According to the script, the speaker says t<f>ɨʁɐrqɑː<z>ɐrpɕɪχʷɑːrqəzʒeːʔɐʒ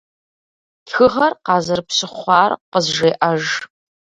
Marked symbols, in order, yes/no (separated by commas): no, yes